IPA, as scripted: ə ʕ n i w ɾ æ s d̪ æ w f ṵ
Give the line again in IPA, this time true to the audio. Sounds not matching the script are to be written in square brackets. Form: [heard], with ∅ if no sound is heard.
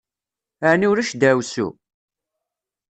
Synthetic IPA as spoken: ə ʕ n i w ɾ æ [ʃ] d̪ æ w [s] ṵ

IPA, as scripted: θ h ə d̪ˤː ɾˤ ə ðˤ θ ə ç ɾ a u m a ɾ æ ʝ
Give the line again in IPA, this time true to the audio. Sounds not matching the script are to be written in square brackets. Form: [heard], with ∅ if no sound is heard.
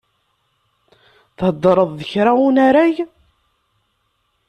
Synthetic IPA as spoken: θ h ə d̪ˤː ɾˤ ə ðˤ [ð] ə ç ɾ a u [n] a ɾ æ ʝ

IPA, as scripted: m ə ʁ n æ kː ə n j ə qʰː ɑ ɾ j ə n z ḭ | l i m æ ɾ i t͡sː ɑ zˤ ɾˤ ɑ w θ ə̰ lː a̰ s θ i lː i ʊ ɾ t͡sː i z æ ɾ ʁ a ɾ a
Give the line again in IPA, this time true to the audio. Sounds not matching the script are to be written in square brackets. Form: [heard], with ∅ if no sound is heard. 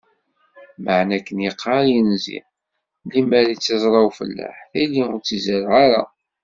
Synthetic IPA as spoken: m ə [ʕ] n æ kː ə n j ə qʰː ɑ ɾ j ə n z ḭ | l i m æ ɾ i t͡sː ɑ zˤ ɾˤ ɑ w [f] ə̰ lː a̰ [ħ] θ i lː i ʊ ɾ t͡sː i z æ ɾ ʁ a ɾ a

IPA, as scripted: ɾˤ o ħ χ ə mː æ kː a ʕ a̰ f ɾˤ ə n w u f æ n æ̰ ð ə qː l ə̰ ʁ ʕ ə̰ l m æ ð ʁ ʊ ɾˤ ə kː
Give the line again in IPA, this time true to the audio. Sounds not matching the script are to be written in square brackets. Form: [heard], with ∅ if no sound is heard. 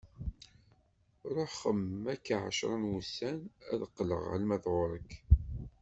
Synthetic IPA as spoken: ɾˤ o ħ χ ə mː æ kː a ʕ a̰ [ʃ] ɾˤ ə n w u [s] æ n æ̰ ð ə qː l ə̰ ʁ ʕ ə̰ l m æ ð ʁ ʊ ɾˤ ə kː

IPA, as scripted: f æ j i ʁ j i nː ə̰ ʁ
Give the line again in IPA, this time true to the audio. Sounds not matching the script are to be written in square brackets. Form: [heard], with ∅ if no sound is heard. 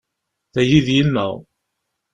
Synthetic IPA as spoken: [θ] æ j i [ð] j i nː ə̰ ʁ

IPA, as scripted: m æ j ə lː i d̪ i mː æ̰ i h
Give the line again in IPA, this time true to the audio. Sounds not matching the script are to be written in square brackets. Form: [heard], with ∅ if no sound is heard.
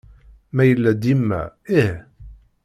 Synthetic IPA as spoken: m æ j ə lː [æ] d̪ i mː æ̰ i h

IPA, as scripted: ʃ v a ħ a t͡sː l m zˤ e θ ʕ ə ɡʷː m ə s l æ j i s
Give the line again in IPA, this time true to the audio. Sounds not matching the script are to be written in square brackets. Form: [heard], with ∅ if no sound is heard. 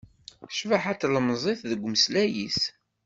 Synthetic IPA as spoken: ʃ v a ħ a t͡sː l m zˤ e θ [ð] ə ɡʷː m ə s l æ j i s

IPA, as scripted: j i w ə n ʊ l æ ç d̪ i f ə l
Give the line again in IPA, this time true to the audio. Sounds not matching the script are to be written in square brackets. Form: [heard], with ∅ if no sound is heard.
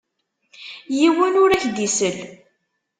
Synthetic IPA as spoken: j i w ə n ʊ [ɾ] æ ç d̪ i [s] ə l

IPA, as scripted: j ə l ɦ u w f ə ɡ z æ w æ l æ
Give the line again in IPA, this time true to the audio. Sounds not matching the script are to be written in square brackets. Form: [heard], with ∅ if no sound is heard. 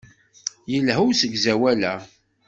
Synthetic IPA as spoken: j ə l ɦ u w [s] ə ɡ z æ w æ l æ

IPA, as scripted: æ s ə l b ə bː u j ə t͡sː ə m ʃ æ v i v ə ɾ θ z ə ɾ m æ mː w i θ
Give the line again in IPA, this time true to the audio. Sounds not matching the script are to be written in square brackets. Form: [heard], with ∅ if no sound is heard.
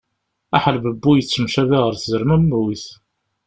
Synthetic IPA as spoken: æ [ħ] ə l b ə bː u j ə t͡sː ə m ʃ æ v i [ʁ] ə ɾ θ z ə ɾ m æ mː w i θ

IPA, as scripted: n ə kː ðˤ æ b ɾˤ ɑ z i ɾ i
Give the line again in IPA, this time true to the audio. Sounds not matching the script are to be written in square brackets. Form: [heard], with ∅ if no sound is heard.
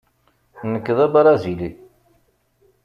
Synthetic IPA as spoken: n ə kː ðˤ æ b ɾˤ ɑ z i [l] i

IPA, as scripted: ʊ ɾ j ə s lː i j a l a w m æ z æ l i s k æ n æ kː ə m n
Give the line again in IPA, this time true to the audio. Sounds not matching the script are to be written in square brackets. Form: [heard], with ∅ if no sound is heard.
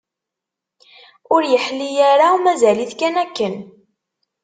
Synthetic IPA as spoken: ʊ ɾ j ə [ħ] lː i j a [ɾ] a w m æ z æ l i [θ] k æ n æ kː ə [∅] n

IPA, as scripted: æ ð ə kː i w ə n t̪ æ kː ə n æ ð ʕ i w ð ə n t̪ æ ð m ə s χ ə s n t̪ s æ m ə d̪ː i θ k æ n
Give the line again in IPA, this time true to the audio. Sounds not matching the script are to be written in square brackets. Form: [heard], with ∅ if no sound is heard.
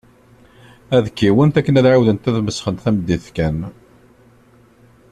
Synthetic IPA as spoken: æ ð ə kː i w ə n t̪ æ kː ə n æ ð ʕ [a] w ð ə n t̪ æ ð m ə s χ ə [∅] n t̪ [θ] æ m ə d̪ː i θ k æ n

